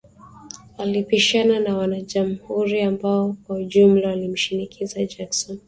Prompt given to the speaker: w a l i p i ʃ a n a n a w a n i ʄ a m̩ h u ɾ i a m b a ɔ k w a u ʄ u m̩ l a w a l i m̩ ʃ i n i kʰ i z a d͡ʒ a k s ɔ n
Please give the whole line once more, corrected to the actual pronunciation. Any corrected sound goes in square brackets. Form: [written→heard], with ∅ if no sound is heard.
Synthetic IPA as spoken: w a l i p i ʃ a n a n a w a n [i→a] ʄ a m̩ h u ɾ i a m b a ɔ k w a u ʄ u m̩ l a w a l i m̩ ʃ i n i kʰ i z a d͡ʒ a k s ɔ n